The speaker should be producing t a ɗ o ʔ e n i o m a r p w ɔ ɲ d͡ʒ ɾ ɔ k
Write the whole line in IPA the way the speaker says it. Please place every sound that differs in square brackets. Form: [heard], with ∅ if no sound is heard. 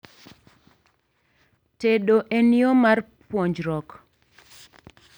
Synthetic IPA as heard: t [e] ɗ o ʔ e n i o m a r p w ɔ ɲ d͡ʒ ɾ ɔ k